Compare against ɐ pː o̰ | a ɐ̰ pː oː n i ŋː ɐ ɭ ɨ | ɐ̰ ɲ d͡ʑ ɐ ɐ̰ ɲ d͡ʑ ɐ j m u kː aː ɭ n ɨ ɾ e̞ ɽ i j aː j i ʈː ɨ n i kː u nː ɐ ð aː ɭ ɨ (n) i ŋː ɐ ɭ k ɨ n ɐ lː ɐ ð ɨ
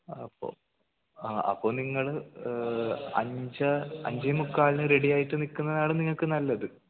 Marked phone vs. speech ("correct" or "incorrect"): correct